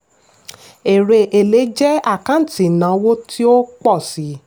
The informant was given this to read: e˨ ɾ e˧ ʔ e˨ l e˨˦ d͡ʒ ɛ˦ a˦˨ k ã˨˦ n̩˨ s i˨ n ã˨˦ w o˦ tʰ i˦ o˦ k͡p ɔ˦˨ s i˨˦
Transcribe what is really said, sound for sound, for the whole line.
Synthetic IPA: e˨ ɾ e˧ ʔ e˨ l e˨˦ d͡ʒ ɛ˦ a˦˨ k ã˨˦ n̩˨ t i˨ n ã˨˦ w o˦ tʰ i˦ o˦ k͡p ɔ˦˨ s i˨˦